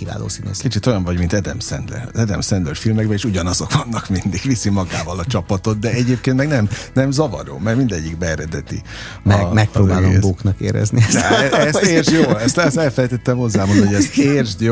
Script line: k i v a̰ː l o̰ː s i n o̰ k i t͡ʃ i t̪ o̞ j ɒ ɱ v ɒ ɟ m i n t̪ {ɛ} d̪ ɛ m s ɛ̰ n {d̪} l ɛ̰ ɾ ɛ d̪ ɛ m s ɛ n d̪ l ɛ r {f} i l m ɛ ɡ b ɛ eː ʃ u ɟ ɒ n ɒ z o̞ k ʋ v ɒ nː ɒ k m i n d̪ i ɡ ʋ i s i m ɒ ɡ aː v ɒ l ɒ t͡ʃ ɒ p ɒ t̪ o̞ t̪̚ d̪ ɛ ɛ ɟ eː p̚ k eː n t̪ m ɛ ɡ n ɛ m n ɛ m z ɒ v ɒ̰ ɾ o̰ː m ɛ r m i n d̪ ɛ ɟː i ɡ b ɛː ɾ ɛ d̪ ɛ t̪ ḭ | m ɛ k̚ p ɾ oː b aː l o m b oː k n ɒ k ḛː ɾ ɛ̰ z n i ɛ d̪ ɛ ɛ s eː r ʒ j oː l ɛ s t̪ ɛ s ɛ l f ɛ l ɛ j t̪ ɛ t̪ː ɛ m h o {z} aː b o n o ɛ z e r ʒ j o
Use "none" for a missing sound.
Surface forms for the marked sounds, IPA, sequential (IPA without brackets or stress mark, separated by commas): ɛ, d̪, f, zː